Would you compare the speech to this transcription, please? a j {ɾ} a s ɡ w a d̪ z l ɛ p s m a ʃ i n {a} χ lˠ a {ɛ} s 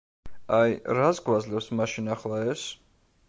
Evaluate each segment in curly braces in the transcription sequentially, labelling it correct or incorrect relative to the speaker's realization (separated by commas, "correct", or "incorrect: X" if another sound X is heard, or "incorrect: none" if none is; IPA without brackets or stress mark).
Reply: correct, correct, correct